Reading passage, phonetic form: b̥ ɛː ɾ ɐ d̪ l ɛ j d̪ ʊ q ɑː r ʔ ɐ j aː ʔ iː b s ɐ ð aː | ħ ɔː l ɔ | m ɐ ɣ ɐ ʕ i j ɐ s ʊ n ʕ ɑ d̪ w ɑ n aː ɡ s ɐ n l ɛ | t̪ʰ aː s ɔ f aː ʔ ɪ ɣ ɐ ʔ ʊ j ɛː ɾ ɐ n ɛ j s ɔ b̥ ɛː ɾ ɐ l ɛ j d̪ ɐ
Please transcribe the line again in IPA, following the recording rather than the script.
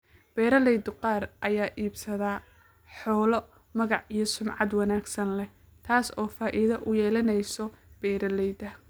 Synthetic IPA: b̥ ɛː ɾ ɐ l ɛ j d̪ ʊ q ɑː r ʔ ɐ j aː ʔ iː b s ɐ ð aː | ħ ɔː l ɔ | m ɐ ɣ ɑ ʕ i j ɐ s ʊ m ʕ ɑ d̪ w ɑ n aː ɡ s ɐ n l ɛ | t̪ʰ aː s ɔː f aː ʔ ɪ ð ɐ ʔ ʊ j ɛː l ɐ n ɛ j s ɔ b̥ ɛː ɾ ɐ l ɛ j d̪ ɐ

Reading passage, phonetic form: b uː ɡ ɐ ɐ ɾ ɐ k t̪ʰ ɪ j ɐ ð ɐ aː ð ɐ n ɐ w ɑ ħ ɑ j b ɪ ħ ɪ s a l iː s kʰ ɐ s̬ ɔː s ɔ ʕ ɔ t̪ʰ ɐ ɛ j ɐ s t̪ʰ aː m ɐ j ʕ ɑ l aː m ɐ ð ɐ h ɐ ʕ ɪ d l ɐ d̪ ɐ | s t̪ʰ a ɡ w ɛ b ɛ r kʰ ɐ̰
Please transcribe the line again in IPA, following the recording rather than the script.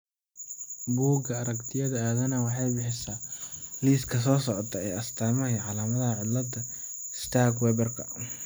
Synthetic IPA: b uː ɡ ɐ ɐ ɾ ɐ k t̪ʰ ɪ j ɐ ð ɐ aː ð ɐ n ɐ w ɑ ħ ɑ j b ɪ ħ ɪ s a l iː s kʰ ɐ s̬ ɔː s ɔ ʕ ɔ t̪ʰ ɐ ɛ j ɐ s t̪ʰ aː m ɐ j ʕ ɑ l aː m ɐ ð ɐ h ɐ ʕ ɪ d l ɐ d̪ ɐ | s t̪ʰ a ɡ w ɛ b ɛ r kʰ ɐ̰

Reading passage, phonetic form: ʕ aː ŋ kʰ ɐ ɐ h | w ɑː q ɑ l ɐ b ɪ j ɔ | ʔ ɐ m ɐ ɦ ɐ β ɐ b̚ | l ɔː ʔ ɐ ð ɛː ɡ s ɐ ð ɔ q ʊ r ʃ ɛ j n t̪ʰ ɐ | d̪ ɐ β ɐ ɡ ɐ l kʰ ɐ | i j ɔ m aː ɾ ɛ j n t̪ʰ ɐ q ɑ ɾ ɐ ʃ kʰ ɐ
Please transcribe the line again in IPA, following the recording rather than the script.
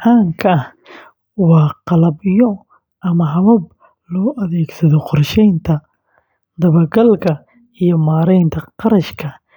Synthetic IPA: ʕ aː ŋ kʰ ɐ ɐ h | w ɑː q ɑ l ɐ b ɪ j ɔ | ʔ ɐ m ɐ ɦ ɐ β ɐ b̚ | l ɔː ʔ ɐ ð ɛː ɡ s ɐ ð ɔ q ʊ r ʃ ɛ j n t̪ʰ ɐ | d̪ ɐ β ɐ ɡ ɐ l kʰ ɐ | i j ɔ m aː ɾ ɛ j n t̪ʰ ɐ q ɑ ɾ ɐ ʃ kʰ ɐ

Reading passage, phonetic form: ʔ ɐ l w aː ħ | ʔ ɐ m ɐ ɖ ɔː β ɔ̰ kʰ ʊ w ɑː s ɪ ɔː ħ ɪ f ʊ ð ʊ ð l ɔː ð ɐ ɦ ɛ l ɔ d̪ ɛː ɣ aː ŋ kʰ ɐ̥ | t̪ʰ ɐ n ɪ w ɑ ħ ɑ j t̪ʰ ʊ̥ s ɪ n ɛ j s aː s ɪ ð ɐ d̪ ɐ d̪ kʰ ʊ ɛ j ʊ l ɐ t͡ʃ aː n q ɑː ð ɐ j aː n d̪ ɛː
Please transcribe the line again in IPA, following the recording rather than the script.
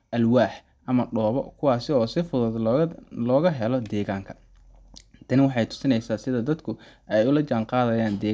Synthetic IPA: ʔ ɐ l w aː ħ | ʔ ɐ m ɐ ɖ ɔː β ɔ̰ kʰ ʊ w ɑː s ɪ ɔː s ɪ f ʊ ð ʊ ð l ɔː ɣ ɐ ɦ ɛ l ɔ d̪ ɛː ɣ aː ŋ kʰ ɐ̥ | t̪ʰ ɐ n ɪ w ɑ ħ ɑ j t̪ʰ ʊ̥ s ɪ n ɛ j s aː s ɪ ð ɐ d̪ ɐ d̪ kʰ ʊ ɛ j ʊ l ɐ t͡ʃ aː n q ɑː ð ɐ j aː n d̪ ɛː

